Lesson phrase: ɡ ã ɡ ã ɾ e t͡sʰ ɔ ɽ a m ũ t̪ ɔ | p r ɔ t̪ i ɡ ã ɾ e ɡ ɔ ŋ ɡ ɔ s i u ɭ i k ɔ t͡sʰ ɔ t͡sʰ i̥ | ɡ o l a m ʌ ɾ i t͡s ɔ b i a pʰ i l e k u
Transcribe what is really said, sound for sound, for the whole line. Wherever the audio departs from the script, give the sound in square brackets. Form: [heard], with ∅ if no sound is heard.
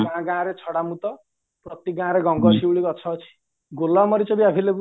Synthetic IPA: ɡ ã ɡ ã ɾ e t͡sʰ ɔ ɽ a m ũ t̪ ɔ | p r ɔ t̪ i ɡ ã ɾ e ɡ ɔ ŋ ɡ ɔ s i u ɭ i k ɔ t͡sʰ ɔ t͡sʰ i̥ | ɡ o l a m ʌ ɾ i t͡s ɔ b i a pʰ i l e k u